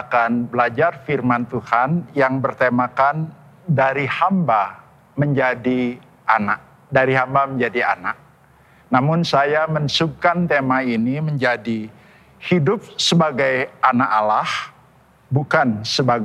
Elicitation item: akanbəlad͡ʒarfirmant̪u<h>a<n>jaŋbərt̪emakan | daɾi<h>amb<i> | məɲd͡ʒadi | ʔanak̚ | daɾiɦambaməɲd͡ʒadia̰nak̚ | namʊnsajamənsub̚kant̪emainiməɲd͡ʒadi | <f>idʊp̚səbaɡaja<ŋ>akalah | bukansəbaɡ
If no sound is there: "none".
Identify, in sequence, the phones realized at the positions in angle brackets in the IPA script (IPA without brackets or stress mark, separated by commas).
h, n, h, a, h, n